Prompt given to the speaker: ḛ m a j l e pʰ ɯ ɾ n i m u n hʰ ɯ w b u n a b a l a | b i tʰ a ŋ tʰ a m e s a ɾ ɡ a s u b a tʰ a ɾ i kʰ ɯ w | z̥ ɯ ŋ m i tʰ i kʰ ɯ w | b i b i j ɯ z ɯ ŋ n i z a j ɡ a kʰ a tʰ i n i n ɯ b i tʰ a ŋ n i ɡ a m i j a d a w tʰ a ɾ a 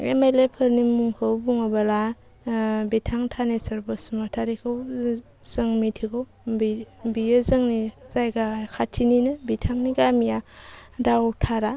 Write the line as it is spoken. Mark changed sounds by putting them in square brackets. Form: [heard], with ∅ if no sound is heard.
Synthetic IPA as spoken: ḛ m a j l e pʰ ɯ ɾ n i m u [ŋ] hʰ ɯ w b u [ŋ] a b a l a | b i tʰ a ŋ tʰ a [n] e s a ɾ [b] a s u [m] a tʰ a ɾ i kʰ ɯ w | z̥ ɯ ŋ m i tʰ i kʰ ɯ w | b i b i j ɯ z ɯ ŋ n i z a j ɡ a kʰ a tʰ i n i n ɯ b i tʰ a ŋ n i ɡ a m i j a d a w tʰ a ɾ a